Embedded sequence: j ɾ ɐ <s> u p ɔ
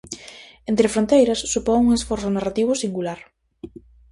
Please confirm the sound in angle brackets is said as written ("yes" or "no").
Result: no